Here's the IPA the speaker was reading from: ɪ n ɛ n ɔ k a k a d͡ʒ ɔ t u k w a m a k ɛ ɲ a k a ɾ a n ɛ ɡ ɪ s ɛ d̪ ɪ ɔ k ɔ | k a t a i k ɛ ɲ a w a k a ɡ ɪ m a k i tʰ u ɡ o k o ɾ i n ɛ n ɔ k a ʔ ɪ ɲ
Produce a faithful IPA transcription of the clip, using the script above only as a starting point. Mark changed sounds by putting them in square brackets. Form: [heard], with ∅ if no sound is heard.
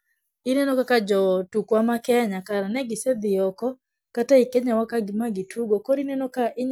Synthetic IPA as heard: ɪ n ɛ n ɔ k a k a d͡ʒ ɔ t u k w a m a k ɛ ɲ a k a ɾ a n ɛ ɡ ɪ s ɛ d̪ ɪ ɔ k ɔ | k a t a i k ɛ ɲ a w a k a ɡ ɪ m a [ɡ] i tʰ u ɡ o k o ɾ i n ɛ n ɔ k a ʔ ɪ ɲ

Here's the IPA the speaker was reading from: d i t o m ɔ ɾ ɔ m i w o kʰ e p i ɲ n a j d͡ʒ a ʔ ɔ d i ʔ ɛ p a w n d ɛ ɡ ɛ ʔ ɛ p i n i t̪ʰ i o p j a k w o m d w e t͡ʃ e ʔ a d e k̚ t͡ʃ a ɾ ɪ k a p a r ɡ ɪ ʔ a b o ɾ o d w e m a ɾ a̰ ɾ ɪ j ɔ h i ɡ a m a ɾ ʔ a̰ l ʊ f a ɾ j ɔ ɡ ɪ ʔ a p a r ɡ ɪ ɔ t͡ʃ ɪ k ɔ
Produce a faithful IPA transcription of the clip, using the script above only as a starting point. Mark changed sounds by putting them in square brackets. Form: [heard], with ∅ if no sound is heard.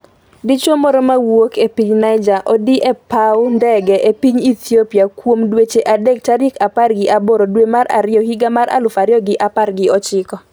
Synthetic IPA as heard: d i [t͡ʃ] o m ɔ ɾ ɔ m [a] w o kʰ e p i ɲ n a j d͡ʒ a ʔ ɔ d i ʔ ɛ p a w n d ɛ ɡ ɛ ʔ [e] p i [ɲ] i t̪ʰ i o p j a k w o m d w e t͡ʃ e ʔ a d e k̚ t͡ʃ a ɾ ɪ k a p a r ɡ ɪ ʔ a b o ɾ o d w e m a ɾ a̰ ɾ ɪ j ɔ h i ɡ a m a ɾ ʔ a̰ l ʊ f a ɾ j ɔ ɡ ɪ ʔ a p a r ɡ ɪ ɔ t͡ʃ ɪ k ɔ

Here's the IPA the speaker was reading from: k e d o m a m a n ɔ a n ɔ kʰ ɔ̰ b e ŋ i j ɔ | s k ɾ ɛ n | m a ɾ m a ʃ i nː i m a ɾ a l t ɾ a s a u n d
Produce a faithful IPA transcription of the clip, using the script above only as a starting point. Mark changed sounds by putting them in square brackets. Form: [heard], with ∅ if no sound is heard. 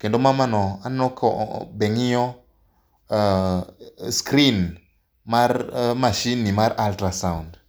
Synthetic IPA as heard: k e d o m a m a n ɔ a n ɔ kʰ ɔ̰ b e ŋ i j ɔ | s k ɾ [i] n | m a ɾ m a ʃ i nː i m a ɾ a l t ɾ a s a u n d

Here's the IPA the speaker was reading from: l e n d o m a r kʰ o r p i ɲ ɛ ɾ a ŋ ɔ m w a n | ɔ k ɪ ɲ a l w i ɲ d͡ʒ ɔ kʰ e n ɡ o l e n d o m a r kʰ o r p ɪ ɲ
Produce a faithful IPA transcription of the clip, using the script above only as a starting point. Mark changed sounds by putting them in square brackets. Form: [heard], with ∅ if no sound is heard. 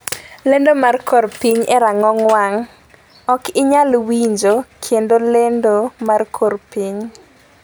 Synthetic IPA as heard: l e n d o m a r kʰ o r p i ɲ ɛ ɾ a ŋ ɔ [ŋ] w a [ŋ] | ɔ k ɪ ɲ a l w i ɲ d͡ʒ [o] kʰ e n [d] o l e n d o m a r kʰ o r p [i] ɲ

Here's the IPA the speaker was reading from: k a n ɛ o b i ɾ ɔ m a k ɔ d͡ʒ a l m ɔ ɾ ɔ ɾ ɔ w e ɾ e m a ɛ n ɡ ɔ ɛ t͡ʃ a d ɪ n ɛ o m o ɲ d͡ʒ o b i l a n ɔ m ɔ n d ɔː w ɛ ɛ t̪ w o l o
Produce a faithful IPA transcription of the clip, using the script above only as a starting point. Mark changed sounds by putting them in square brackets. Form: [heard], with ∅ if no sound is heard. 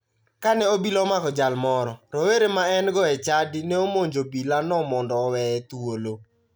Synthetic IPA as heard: k a n ɛ o b i [l] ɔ m a k ɔ d͡ʒ a l m ɔ ɾ ɔ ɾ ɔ w e ɾ e m a ɛ n ɡ ɔ ɛ t͡ʃ a d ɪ n ɛ o m o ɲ d͡ʒ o b i l a n ɔ m ɔ n d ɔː w ɛ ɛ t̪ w o l o

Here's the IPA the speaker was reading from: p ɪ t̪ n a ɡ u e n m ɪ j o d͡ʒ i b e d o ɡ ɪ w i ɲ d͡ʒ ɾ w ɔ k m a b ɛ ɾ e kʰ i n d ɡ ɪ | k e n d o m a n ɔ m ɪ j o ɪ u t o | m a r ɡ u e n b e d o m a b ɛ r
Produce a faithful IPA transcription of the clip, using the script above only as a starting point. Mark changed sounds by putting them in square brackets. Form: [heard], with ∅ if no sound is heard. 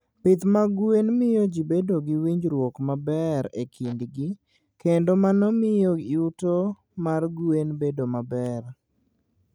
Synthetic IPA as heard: p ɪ t̪ [m] a ɡ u e n m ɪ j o d͡ʒ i b e d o ɡ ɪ w i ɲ d͡ʒ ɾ w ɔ k m a b ɛ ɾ e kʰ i n d ɡ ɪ | k e n d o m a n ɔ m ɪ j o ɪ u t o | m a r ɡ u e n b e d o m a b ɛ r

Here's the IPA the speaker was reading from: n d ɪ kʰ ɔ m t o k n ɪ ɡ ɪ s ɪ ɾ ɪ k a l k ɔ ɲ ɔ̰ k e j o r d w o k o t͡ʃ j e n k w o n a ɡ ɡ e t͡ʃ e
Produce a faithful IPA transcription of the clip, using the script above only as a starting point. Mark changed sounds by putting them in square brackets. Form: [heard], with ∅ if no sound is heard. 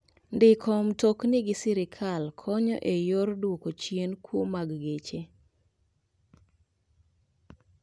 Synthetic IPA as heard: n d ɪ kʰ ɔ m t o k n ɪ ɡ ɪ s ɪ ɾ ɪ [kʰ] a l [kʰ] ɔ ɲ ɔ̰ [ʔ] e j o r d w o k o t͡ʃ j e n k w o [m] a ɡ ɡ e t͡ʃ e

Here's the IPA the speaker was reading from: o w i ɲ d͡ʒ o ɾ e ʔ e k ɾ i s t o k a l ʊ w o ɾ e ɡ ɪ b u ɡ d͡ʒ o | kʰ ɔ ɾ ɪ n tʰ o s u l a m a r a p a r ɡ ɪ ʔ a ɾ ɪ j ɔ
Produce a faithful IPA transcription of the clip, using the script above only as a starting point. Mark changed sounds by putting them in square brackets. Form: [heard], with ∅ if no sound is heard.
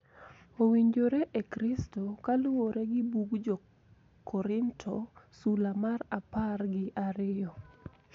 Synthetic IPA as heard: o w i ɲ d͡ʒ o ɾ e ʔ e k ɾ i s t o k a l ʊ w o ɾ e ɡ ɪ b u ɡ d͡ʒ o | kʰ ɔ ɾ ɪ n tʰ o s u l a m a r a p a r ɡ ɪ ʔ a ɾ ɪ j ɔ

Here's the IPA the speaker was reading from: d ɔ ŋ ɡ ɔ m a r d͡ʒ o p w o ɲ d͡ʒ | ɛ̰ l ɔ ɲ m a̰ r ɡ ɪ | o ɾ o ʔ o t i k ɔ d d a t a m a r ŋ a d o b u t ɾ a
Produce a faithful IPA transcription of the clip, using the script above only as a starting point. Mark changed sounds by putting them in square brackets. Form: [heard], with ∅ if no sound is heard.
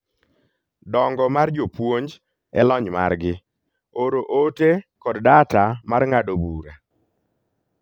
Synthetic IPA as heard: d ɔ ŋ ɡ ɔ m a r d͡ʒ o p w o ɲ d͡ʒ | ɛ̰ l ɔ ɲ m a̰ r ɡ ɪ | o ɾ o ʔ o t [e] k ɔ d d a t a m a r ŋ a d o b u [∅] ɾ a

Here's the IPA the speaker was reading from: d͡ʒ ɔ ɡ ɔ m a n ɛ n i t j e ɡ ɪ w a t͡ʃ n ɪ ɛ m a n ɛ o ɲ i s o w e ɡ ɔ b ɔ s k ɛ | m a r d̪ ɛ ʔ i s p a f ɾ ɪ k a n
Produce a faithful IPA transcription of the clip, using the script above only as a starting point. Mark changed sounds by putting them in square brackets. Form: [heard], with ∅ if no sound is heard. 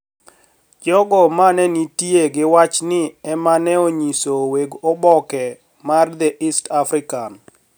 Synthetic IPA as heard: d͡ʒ ɔ ɡ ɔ m a n ɛ n i t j e ɡ ɪ w a t͡ʃ n ɪ ɛ m a n ɛ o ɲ i s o w e ɡ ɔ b ɔ [∅] k ɛ | m a r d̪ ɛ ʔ i s [t] a f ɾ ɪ k a n

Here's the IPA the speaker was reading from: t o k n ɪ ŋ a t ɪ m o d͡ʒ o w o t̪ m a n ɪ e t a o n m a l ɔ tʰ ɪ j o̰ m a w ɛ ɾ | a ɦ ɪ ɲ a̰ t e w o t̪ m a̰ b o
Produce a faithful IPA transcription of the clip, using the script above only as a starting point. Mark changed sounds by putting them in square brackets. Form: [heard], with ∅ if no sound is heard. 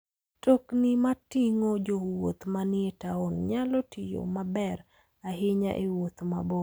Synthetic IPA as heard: t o k n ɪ [m] a t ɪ [ŋ] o d͡ʒ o w o t̪ m a n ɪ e t a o n [ɲ] a l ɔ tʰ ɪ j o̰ m a [b] ɛ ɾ | a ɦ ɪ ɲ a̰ [ʔ] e w o t̪ m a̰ b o

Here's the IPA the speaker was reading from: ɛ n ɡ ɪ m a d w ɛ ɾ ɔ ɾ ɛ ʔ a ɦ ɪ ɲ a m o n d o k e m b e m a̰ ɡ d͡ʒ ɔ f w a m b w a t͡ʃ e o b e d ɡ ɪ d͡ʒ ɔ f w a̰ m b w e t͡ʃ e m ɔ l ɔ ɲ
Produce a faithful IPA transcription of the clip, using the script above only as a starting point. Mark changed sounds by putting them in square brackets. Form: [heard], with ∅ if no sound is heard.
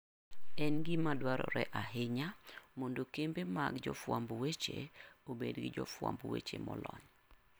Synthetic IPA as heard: ɛ n ɡ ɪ m a d w [a] ɾ ɔ ɾ ɛ ʔ a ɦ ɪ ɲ a m o n d o k e m b e m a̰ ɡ d͡ʒ ɔ f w a m b w [e] t͡ʃ e o b e d ɡ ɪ d͡ʒ ɔ f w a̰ m b w e t͡ʃ e m ɔ l ɔ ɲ

